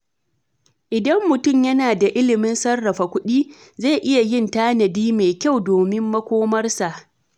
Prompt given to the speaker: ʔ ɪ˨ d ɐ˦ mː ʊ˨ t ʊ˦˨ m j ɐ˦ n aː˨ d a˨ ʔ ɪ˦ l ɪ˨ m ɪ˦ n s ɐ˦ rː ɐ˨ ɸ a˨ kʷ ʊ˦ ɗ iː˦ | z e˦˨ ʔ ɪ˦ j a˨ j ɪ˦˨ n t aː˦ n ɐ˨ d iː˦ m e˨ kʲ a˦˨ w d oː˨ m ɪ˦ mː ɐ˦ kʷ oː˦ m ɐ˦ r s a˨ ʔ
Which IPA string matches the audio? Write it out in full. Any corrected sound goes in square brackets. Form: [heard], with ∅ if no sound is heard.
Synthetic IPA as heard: ʔ ɪ˨ d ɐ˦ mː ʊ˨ t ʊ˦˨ m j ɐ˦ n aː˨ d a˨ ʔ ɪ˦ l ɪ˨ m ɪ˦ n s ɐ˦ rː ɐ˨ ɸ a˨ kʷ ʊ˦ ɗ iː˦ | z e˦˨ ʔ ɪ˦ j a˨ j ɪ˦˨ n t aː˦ n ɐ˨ d iː˦ m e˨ kʲ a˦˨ w d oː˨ m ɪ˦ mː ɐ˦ kʷ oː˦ m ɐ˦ r s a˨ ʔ